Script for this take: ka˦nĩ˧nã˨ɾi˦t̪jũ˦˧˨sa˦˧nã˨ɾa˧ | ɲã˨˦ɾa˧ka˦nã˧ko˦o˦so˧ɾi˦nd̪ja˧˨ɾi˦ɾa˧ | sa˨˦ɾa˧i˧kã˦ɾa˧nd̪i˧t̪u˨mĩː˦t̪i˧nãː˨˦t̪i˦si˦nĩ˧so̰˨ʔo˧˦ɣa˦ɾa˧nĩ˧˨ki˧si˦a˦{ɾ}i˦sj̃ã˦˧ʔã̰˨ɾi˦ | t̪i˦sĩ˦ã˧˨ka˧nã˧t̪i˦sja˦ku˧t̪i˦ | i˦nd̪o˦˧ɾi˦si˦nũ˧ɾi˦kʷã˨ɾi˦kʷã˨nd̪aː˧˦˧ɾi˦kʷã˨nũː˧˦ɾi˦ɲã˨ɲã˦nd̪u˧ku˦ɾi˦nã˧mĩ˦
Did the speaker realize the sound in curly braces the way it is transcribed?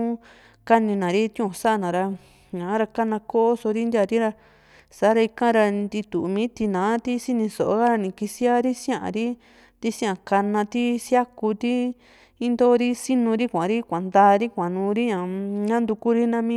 yes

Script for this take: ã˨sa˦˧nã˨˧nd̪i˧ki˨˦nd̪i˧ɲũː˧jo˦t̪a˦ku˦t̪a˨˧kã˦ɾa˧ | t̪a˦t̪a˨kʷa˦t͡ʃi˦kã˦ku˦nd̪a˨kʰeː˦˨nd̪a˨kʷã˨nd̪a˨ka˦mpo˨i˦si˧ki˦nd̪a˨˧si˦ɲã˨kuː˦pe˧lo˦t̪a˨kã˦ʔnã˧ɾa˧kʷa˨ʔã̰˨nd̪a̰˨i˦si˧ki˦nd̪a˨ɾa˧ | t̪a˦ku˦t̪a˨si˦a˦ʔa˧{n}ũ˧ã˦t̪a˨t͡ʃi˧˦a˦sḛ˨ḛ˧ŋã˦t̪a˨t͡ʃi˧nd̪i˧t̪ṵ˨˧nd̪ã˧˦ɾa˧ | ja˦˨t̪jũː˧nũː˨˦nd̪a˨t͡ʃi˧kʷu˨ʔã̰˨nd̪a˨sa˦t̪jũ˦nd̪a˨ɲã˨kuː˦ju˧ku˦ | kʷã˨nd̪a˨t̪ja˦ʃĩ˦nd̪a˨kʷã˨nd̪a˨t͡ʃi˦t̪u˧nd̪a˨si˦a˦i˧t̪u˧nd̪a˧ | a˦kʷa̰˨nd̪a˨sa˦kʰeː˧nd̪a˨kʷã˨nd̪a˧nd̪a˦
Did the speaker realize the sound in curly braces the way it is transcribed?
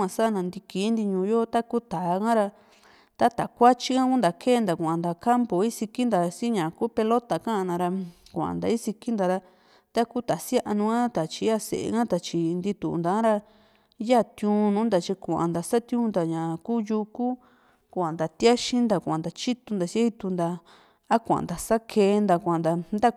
yes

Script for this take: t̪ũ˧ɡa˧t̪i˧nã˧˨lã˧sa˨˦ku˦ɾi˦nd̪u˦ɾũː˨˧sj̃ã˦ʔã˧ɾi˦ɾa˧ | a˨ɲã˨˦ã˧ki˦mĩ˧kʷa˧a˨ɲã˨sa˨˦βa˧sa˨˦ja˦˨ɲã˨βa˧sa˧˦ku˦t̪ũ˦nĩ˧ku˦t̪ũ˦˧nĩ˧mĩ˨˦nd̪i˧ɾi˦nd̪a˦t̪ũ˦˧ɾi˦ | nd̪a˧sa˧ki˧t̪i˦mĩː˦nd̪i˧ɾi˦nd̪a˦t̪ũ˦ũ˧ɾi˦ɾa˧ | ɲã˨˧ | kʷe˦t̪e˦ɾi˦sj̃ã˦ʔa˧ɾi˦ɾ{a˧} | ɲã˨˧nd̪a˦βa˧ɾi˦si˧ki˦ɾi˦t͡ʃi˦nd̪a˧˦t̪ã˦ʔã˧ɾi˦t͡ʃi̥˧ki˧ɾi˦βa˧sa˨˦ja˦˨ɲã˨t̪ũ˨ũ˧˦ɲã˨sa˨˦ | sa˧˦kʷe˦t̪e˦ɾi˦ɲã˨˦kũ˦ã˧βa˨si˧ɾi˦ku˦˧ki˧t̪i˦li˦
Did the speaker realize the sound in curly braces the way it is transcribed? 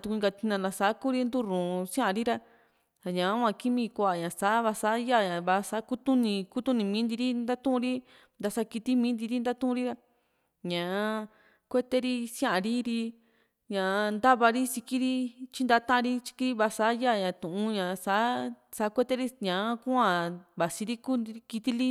no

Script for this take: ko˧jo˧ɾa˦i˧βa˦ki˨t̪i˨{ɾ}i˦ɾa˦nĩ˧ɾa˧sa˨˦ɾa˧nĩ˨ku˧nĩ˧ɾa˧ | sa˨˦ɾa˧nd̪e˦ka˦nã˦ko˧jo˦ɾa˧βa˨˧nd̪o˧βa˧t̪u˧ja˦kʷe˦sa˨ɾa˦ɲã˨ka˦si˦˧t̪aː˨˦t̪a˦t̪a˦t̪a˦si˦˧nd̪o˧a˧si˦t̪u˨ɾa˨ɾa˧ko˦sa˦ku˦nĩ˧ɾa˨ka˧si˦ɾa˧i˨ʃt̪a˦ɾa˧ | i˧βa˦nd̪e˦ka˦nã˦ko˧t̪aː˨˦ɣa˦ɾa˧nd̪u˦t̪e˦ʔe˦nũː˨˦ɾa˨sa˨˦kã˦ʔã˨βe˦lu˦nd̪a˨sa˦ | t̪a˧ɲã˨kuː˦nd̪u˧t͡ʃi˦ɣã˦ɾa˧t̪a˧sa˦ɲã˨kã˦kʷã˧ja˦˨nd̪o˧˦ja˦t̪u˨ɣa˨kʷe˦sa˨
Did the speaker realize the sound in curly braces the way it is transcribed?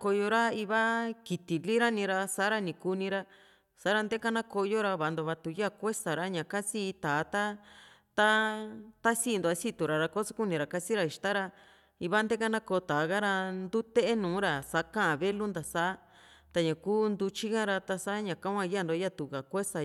no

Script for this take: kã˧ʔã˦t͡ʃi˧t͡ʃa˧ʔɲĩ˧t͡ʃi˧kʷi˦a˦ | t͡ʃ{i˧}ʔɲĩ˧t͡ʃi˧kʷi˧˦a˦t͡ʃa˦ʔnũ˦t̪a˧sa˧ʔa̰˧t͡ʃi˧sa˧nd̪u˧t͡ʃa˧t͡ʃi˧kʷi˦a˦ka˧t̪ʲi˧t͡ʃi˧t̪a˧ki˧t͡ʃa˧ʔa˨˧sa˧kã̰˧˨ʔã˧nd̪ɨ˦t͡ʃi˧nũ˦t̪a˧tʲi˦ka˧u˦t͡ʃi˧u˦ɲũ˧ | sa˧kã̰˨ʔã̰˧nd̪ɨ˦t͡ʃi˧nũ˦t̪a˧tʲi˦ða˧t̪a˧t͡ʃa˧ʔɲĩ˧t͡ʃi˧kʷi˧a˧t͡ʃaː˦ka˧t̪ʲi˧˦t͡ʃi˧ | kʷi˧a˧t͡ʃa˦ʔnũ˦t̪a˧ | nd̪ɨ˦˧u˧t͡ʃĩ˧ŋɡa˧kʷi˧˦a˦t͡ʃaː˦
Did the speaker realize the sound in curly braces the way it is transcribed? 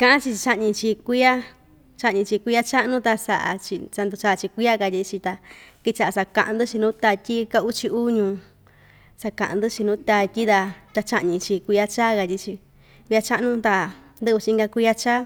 no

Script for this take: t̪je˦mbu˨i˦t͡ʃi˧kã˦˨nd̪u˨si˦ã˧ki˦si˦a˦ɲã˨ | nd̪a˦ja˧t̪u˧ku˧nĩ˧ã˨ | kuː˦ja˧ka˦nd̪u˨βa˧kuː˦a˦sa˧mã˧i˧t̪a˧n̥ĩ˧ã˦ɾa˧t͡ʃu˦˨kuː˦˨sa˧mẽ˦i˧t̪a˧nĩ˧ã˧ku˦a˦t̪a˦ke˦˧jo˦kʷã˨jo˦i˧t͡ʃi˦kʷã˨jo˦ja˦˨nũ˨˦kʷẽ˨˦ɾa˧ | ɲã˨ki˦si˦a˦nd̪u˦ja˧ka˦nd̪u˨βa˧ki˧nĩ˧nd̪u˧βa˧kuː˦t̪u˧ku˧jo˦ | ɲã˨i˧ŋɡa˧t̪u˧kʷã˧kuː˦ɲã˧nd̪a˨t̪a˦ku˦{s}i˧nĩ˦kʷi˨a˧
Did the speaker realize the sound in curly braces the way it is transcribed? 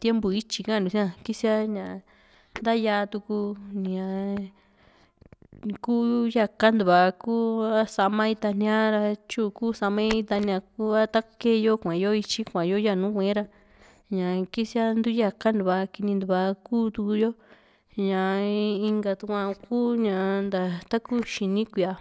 no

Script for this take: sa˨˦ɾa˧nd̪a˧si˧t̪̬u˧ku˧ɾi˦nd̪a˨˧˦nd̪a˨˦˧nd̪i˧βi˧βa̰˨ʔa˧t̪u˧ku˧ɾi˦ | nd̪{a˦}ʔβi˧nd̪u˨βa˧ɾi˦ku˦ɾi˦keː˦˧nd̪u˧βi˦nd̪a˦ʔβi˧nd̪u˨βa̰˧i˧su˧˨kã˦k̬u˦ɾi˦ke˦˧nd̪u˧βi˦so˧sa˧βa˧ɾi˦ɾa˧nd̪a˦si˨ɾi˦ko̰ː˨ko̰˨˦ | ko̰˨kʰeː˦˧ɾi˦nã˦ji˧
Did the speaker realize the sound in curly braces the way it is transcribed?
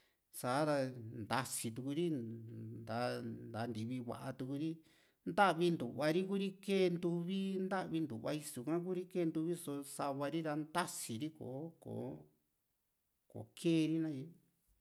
yes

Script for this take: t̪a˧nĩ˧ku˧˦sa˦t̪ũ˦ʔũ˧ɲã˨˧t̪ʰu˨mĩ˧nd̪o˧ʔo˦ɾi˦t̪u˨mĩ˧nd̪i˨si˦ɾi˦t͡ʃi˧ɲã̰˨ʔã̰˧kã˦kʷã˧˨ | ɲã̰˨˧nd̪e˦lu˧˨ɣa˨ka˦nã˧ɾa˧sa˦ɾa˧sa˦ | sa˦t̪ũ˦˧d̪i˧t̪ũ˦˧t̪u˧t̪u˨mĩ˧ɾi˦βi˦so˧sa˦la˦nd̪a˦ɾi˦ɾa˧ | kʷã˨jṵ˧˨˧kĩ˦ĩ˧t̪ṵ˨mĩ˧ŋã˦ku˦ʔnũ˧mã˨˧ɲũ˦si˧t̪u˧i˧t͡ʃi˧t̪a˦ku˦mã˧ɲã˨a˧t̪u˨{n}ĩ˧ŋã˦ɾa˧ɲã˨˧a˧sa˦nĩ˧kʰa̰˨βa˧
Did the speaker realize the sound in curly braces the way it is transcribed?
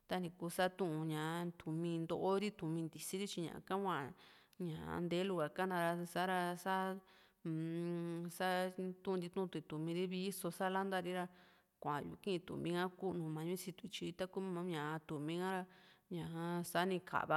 no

